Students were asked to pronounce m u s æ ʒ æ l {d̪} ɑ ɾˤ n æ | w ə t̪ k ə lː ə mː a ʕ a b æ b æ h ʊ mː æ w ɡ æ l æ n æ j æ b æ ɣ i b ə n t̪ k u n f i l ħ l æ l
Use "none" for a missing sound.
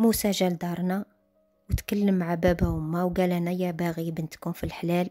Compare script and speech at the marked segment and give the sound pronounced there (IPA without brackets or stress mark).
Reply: d̪